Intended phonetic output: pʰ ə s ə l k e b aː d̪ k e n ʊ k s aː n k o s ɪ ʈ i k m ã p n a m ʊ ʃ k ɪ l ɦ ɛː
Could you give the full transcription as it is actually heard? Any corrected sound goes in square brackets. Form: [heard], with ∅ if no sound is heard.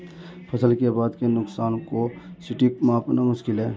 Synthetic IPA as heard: pʰ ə s ə l k e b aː d̪ k e n ʊ k s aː n k o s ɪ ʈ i k m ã p n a m ʊ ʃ k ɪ l ɦ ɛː